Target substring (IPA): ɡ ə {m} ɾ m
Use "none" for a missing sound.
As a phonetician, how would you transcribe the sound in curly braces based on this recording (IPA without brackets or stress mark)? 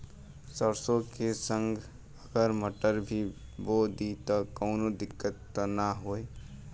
none